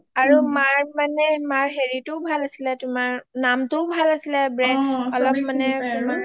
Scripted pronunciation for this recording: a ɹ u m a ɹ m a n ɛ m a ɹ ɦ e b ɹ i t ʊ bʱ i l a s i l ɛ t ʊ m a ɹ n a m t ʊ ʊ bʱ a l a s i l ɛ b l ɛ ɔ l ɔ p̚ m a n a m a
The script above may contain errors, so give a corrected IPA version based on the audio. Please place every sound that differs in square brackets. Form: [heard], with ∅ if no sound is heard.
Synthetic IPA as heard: a ɹ u m a ɹ m a n ɛ m a ɹ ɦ e [∅] ɹ i t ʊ bʱ [a] l a s i l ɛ t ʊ m a ɹ n a m t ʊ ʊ bʱ a l a s i l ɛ b [ɹ] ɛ ɔ l ɔ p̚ m a n [ɛ] m a